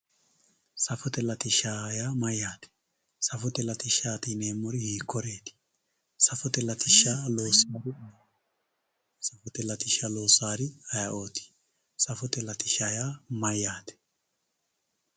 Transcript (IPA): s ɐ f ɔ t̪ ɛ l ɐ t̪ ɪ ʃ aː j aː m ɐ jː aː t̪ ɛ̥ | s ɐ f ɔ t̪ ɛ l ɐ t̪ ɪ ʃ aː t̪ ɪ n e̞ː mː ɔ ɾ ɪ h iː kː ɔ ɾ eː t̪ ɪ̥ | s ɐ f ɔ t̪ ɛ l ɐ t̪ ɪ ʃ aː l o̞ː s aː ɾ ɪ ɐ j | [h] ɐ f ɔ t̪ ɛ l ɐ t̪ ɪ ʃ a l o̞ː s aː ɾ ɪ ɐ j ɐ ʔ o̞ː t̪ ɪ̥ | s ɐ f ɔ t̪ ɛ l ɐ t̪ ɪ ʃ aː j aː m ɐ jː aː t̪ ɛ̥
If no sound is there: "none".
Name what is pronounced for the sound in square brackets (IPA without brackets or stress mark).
s